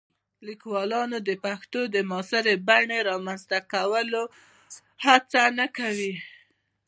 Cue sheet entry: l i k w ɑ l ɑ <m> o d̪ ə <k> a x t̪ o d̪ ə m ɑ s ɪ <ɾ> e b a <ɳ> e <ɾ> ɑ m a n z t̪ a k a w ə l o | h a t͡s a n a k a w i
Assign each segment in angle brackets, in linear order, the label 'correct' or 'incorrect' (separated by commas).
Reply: incorrect, incorrect, correct, correct, correct